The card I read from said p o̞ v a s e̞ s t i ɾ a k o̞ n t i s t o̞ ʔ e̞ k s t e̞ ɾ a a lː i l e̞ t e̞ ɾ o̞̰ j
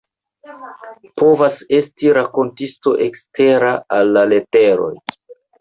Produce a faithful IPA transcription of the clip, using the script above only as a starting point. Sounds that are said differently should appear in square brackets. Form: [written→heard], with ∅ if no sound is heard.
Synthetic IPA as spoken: p o̞ v a s e̞ s t i ɾ a k o̞ n t i s t o̞ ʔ e̞ k s t e̞ ɾ a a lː [i→a] l e̞ t e̞ ɾ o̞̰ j